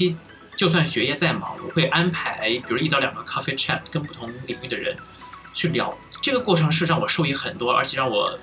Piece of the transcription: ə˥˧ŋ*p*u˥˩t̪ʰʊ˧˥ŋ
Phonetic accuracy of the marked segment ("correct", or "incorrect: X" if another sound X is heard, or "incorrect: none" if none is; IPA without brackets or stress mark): correct